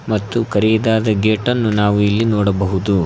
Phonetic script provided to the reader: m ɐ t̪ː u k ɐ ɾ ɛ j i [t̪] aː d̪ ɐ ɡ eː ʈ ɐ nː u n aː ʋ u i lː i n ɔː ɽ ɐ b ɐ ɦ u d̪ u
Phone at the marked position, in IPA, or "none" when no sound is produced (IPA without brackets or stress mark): d̪